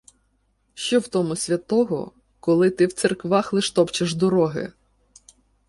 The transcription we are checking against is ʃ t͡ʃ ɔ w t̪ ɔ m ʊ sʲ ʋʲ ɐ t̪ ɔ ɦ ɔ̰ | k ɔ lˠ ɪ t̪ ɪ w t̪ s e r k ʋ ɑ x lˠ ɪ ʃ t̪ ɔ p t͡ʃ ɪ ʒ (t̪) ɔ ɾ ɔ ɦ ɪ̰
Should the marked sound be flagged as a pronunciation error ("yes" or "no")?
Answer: yes